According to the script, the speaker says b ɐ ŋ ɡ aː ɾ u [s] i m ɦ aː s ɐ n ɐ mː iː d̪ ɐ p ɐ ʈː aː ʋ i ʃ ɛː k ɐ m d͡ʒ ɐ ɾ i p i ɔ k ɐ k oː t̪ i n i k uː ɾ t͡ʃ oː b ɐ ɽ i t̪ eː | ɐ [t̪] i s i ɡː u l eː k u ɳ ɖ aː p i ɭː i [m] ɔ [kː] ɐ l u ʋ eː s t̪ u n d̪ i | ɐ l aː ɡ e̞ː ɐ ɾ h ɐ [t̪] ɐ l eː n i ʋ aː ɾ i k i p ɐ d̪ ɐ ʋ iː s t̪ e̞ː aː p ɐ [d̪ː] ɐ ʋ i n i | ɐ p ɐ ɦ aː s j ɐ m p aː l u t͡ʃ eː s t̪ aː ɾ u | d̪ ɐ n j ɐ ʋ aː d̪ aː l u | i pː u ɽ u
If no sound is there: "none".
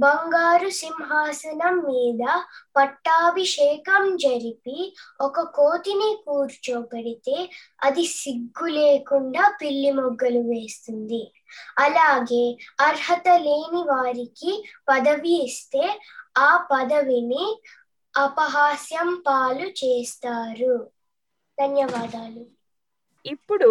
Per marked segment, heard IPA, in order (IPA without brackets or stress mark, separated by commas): s, d̪, m, ɡː, t̪, d̪